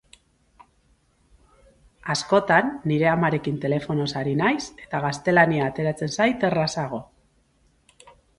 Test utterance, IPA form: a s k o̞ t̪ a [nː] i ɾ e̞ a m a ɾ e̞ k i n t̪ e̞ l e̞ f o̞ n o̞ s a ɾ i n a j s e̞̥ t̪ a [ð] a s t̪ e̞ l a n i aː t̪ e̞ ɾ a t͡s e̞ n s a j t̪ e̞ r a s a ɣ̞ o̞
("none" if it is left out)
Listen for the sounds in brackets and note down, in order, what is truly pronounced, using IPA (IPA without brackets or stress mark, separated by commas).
nː, ɣ